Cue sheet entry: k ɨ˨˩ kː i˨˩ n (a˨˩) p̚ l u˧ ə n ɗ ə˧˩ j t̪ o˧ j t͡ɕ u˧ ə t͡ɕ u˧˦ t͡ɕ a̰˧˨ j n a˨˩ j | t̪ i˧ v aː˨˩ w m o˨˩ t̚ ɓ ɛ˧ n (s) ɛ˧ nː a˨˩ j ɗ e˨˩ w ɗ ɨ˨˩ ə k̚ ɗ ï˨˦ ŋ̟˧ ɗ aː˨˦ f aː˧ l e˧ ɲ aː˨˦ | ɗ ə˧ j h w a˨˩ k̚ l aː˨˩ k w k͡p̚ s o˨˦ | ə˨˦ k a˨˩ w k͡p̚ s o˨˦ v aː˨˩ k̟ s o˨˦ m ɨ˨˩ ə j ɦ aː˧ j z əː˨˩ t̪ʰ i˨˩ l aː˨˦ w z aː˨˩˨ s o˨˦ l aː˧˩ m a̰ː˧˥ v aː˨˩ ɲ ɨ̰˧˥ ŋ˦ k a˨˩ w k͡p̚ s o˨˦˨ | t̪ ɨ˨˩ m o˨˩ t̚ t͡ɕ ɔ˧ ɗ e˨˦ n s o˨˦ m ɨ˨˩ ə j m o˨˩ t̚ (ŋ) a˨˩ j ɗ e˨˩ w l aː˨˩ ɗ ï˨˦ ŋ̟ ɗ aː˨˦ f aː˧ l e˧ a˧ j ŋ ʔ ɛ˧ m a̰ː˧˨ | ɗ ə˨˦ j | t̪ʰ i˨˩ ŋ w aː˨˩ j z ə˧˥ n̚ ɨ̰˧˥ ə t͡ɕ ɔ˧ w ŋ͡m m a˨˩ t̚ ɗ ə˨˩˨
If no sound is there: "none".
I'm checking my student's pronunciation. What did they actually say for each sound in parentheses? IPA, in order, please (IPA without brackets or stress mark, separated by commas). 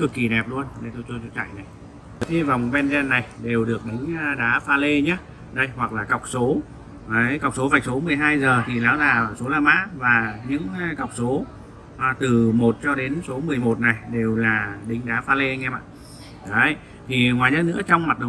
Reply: ɛ˨˩, z, n